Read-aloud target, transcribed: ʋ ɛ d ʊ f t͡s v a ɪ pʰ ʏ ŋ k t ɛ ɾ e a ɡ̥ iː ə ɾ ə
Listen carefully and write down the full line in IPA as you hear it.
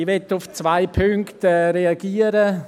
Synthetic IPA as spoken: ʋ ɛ t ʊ f t͡s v a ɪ pʰ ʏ ŋ k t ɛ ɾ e a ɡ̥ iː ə ɾ ə